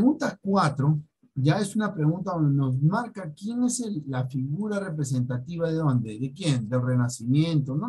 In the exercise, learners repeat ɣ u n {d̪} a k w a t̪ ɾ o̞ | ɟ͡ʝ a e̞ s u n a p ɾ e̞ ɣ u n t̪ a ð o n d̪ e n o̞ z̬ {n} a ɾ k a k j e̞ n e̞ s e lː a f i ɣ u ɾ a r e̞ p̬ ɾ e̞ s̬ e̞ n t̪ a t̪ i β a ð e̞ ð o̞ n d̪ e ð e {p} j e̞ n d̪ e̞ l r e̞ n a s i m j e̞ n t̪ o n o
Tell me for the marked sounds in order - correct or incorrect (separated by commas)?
incorrect, incorrect, incorrect